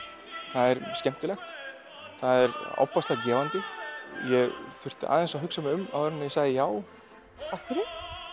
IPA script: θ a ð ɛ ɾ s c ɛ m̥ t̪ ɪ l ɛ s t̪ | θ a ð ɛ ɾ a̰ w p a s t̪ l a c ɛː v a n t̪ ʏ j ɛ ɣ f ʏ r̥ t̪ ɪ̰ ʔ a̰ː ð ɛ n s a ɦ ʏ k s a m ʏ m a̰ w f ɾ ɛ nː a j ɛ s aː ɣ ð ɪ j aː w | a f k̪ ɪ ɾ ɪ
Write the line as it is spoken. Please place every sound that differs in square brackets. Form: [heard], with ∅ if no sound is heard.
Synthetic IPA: θ a ð ɛ ɾ s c ɛ m̥ t̪ ɪ l ɛ [x] t̪ | θ a ð ɛ ɾ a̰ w p a s t̪ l a c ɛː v a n t̪ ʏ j ɛ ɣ f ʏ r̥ t̪ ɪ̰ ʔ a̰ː ð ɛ n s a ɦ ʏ k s a m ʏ m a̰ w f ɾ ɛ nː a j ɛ s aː ɣ ð ɪ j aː w | a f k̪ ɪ ɾ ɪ

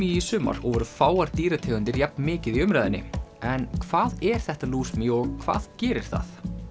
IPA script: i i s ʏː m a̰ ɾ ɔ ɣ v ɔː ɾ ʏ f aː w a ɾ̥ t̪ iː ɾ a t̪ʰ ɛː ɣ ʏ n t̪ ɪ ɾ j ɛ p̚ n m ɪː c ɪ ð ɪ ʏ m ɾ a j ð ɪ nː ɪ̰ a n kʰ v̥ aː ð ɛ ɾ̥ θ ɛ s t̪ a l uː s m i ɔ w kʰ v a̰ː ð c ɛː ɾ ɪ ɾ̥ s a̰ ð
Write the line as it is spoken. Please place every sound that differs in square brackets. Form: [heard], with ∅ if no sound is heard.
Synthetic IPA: i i s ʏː m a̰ ɾ ɔ ɣ v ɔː ɾ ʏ f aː w a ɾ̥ t̪ iː ɾ a t̪ʰ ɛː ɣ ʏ n t̪ ɪ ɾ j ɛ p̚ n m ɪː c ɪ ð [i] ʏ m ɾ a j ð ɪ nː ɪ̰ [ɛ] n kʰ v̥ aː ð ɛ ɾ̥ θ ɛ [h] t̪ a l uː s m i ɔ [ɣ] kʰ v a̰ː ð c ɛː ɾ ɪ ɾ̥ [θ] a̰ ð

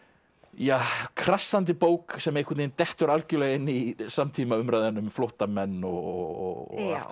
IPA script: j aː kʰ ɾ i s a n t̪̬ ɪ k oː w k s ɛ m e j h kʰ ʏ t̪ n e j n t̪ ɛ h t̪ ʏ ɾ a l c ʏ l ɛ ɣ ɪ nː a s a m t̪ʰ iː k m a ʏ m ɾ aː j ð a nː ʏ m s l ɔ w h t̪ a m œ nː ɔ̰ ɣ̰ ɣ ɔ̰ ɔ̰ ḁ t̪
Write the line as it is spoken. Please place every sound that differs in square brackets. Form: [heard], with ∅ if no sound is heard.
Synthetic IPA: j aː kʰ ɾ [a] s a n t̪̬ ɪ [p] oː w k s ɛ m e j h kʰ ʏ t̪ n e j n t̪ ɛ h t̪ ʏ ɾ a l c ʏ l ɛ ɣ ɪ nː [i] s a m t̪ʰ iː [∅] m a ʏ m ɾ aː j ð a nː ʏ m [f] l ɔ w h t̪ a m [ɛ] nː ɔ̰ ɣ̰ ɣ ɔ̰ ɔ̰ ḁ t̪

